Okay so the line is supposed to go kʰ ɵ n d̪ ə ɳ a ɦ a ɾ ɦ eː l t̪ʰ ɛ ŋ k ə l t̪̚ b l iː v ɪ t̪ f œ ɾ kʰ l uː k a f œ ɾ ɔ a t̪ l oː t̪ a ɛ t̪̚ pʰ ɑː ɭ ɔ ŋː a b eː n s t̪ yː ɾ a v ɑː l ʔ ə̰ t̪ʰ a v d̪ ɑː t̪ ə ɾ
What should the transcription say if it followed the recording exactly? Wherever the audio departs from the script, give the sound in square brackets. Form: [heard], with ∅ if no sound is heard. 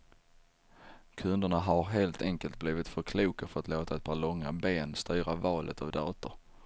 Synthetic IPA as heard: kʰ ɵ n d̪ ə ɳ a ɦ a ɾ ɦ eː l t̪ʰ ɛ ŋ k ə l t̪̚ b l iː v ɪ t̪ f œ ɾ kʰ l uː k a f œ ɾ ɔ a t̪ l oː t̪ a ɛ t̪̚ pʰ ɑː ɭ ɔ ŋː a b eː n s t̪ yː ɾ a v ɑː l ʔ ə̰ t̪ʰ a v d̪ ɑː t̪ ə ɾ